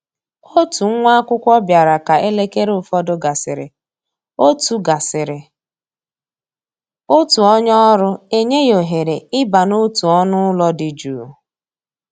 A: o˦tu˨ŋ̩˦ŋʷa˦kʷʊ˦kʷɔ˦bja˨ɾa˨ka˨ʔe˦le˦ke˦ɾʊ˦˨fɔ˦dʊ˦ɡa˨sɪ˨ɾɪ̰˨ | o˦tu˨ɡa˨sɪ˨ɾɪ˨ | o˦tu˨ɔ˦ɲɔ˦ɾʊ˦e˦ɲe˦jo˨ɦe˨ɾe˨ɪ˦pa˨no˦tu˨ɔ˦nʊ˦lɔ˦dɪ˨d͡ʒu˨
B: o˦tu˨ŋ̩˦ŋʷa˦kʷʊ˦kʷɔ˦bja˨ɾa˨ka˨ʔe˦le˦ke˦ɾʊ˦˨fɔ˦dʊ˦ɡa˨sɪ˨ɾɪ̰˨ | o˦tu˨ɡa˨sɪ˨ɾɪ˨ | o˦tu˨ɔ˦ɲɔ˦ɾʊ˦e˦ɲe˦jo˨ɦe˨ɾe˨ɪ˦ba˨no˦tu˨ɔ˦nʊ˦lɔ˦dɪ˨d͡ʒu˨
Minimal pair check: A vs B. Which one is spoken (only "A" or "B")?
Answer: B